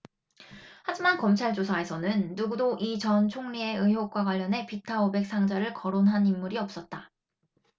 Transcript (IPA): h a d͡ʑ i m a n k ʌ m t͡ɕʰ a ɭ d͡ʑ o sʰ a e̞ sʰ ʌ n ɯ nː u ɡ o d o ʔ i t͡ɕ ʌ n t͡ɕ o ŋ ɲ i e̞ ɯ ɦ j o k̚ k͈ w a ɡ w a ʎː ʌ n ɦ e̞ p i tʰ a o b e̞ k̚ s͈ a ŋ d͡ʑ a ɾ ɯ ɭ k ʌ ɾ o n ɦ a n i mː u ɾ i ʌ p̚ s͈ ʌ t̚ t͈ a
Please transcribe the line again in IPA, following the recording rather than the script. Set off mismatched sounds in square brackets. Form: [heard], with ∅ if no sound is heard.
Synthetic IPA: h a d͡ʑ i m a n k ʌ m t͡ɕʰ a ɭ d͡ʑ o sʰ a e̞ sʰ ʌ n ɯ nː u ɡ [u] d o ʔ i t͡ɕ ʌ n [t͡ɕʰ] o ŋ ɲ i e̞ ɯ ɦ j o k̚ k͈ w a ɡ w a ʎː ʌ n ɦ e̞ p i tʰ a o b e̞ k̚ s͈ a ŋ d͡ʑ a ɾ ɯ ɭ k ʌ ɾ o n ɦ a n i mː u ɾ i ʌ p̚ s͈ ʌ t̚ t͈ a

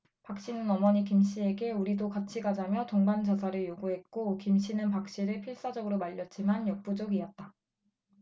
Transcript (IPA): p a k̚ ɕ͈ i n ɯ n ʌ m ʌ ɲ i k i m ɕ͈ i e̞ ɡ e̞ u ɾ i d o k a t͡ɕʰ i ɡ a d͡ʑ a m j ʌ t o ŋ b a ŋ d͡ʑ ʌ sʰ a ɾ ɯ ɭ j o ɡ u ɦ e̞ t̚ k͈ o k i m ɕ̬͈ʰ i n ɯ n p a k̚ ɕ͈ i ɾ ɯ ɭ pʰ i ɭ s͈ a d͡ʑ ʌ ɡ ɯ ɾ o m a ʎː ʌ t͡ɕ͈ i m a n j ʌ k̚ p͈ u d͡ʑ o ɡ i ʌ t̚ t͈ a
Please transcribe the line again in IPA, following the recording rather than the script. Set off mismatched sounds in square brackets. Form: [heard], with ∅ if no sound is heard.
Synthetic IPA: p a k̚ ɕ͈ i n ɯ n ʌ m ʌ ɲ i k i m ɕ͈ i e̞ ɡ e̞ u ɾ i d o k a t͡ɕʰ i ɡ a d͡ʑ a m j ʌ t o ŋ b a [n] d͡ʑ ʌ sʰ a ɾ ɯ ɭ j o ɡ u ɦ e̞ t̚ k͈ o k i m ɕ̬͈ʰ i n ɯ n p a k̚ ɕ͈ i ɾ ɯ ɭ pʰ i ɭ s͈ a d͡ʑ ʌ ɡ ɯ ɾ o m a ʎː ʌ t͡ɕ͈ i m a n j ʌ k̚ p͈ u d͡ʑ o ɡ i ʌ t̚ t͈ a

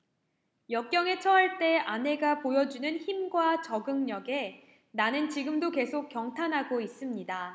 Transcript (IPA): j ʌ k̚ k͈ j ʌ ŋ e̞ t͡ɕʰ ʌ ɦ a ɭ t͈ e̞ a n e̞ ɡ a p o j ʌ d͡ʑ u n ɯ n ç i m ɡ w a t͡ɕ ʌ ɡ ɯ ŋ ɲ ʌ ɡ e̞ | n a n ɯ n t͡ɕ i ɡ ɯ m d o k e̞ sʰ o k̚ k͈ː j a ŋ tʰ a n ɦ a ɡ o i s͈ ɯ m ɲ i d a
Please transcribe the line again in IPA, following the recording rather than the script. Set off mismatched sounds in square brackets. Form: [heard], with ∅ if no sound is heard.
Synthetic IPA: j ʌ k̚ k͈ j ʌ ŋ e̞ t͡ɕʰ ʌ ɦ a ɭ t͈ e̞ a n e̞ ɡ a p o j ʌ d͡ʑ u n ɯ n ç i m ɡ w a t͡ɕ ʌ ɡ ɯ ŋ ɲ ʌ ɡ e̞ | n a n ɯ n t͡ɕ i ɡ ɯ m d o k e̞ sʰ o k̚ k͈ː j [ʌ] ŋ tʰ a n ɦ a ɡ o i s͈ ɯ m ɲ i d a

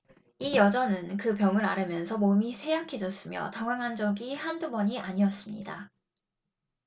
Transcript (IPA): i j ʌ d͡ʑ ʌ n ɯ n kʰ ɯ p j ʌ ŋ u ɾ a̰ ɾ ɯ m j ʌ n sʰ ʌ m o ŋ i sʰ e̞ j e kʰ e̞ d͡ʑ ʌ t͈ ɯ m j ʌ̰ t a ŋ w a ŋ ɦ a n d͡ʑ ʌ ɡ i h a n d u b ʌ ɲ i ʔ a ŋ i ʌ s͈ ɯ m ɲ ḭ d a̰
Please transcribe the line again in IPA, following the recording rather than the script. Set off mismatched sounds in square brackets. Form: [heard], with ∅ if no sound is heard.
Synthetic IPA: i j ʌ d͡ʑ ʌ n ɯ n [k] ɯ p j ʌ ŋ [ɯ] ɾ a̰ ɾ ɯ m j ʌ n sʰ ʌ m o [m] i sʰ e̞ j [a] kʰ e̞ d͡ʑ ʌ [s͈] ɯ m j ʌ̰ t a ŋ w a ŋ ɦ a n d͡ʑ ʌ ɡ i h a n d u b ʌ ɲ i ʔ a [ɲ] i ʌ s͈ ɯ m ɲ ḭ d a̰

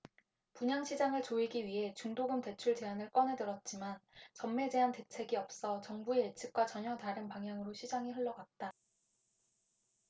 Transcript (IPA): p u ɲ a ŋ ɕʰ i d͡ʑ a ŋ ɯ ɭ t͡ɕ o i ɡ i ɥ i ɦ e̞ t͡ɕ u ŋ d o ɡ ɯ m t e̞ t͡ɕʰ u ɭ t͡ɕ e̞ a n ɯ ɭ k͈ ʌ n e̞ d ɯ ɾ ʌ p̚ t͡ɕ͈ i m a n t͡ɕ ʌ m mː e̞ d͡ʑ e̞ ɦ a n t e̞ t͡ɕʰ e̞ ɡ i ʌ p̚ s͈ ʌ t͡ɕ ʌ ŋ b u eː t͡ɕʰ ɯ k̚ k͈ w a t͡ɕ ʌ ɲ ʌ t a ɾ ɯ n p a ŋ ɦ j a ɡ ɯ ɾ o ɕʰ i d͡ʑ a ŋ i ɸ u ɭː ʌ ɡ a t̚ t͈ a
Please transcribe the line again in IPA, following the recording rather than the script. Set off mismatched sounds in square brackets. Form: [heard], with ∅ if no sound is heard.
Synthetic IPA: p u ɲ a ŋ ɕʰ i d͡ʑ a ŋ ɯ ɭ t͡ɕ o i ɡ i ɥ i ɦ e̞ t͡ɕ u ŋ d o ɡ ɯ m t e̞ t͡ɕʰ u ɭ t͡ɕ e̞ a n ɯ ɭ k͈ ʌ n e̞ d ɯ ɾ ʌ [t̚] t͡ɕ͈ i m a n t͡ɕ ʌ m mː e̞ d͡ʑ e̞ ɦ a n t e̞ t͡ɕʰ e̞ ɡ i ʌ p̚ s͈ ʌ t͡ɕ ʌ ŋ b u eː t͡ɕʰ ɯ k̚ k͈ w a t͡ɕ ʌ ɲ ʌ t a ɾ ɯ n p a ŋ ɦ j a [ŋ] ɯ ɾ o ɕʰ i d͡ʑ a ŋ i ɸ [ɯ] ɭː ʌ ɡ a t̚ t͈ a

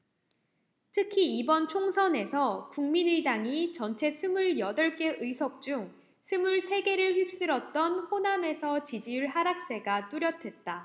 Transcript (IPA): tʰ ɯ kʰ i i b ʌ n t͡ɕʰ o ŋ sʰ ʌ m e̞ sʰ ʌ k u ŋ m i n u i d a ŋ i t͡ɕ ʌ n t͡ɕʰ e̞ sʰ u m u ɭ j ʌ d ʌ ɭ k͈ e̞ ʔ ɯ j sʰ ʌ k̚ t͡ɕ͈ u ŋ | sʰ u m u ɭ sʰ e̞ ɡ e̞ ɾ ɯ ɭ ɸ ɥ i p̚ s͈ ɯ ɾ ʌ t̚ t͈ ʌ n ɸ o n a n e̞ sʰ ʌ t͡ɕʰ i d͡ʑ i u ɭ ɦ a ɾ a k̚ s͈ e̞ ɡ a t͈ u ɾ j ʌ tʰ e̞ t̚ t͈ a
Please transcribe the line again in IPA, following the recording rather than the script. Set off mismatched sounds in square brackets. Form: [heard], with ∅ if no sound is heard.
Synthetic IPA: tʰ ɯ kʰ i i b ʌ n t͡ɕʰ o ŋ sʰ ʌ [n] e̞ sʰ ʌ k u ŋ m i n [ɯ] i d a ŋ i t͡ɕ ʌ n t͡ɕʰ e̞ sʰ [ɯ] m u ɭ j ʌ d ʌ ɭ k͈ e̞ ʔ ɯ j sʰ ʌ k̚ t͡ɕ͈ u ŋ | sʰ [ɯ] m u ɭ sʰ e̞ ɡ e̞ ɾ ɯ ɭ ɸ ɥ i p̚ s͈ ɯ ɾ ʌ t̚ t͈ ʌ n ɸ o n a [m] e̞ sʰ ʌ [t͡ɕ] i d͡ʑ i u ɭ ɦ a ɾ a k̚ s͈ e̞ ɡ a t͈ u ɾ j ʌ tʰ e̞ t̚ t͈ a

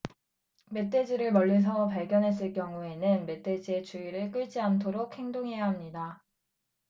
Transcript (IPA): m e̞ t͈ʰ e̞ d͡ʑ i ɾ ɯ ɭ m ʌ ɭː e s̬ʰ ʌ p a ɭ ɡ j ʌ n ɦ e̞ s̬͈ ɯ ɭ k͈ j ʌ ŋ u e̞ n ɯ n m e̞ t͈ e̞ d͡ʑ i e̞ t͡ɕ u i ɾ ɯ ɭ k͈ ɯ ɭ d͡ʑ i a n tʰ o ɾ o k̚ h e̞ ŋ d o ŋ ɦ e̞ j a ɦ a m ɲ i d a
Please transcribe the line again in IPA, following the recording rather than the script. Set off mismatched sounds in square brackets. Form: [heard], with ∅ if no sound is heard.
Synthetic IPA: m e̞ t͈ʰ e̞ d͡ʑ i ɾ ɯ ɭ m ʌ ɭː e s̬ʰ ʌ p a ɭ ɡ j ʌ n ɦ e̞ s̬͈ ɯ ɭ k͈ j ʌ ŋ u e̞ n ɯ n m e̞ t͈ e̞ d͡ʑ i e̞ t͡ɕ u i ɾ ɯ ɭ k͈ ɯ ɭ d͡ʑ i a n tʰ o ɾ o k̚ h e̞ ŋ d o ŋ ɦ e̞ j a ɦ a m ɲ i d a

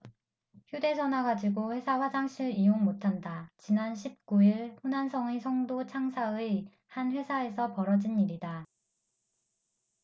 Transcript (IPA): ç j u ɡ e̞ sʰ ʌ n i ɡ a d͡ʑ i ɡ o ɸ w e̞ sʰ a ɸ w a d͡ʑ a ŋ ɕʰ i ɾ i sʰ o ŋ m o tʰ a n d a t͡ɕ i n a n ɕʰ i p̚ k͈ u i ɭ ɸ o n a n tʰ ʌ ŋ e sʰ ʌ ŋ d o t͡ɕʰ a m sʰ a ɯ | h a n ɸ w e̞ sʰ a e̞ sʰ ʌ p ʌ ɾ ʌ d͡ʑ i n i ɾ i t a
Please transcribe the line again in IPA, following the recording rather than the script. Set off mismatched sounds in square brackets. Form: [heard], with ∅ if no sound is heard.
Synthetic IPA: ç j u [d] e̞ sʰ ʌ n [a] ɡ a d͡ʑ i ɡ o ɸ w e̞ sʰ a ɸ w a d͡ʑ a ŋ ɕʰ i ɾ i [∅] o ŋ m o tʰ a n d a t͡ɕ i n a n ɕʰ i p̚ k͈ u i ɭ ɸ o n a n [sʰ] ʌ ŋ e sʰ ʌ ŋ d o t͡ɕʰ a [ŋ] sʰ a ɯ | h a n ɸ w e̞ sʰ a e̞ sʰ ʌ p ʌ ɾ ʌ d͡ʑ i n i ɾ i [d] a

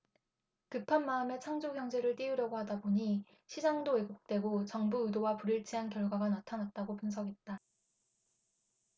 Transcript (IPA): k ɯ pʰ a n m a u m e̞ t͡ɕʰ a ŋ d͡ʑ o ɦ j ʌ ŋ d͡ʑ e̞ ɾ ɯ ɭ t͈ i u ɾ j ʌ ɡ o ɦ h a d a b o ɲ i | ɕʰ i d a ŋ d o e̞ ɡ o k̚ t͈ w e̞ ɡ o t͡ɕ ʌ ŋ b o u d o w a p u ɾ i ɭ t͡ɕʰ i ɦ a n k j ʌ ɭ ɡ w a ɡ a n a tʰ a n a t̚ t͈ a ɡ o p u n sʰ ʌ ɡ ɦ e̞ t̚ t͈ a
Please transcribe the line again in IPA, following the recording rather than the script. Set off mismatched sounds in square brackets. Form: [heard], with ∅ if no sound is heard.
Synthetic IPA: k ɯ pʰ a n m a [ɯ] m e̞ t͡ɕʰ a ŋ d͡ʑ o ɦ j ʌ ŋ d͡ʑ e̞ ɾ ɯ ɭ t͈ i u ɾ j ʌ ɡ o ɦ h a d a b o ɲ i | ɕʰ i [d͡ʑ] a ŋ d o e̞ ɡ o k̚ t͈ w e̞ ɡ o t͡ɕ ʌ ŋ b [u] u d o w a p u ɾ i ɭ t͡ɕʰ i ɦ a n k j ʌ ɭ ɡ w a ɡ a n a tʰ a n a t̚ t͈ a ɡ o p u n sʰ ʌ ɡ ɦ e̞ t̚ t͈ a

